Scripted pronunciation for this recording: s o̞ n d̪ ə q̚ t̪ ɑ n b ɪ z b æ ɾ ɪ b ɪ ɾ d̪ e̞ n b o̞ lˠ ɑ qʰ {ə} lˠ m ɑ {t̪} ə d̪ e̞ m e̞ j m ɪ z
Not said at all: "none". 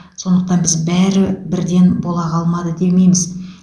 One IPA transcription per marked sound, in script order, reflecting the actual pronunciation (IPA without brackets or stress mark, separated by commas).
ɑ, d̪